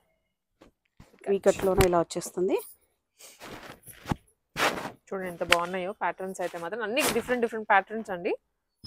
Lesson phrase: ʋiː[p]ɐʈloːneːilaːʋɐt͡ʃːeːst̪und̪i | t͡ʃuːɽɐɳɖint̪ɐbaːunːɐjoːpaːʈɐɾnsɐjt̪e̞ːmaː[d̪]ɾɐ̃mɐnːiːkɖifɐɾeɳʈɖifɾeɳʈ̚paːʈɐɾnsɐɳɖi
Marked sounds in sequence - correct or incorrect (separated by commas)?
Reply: incorrect, incorrect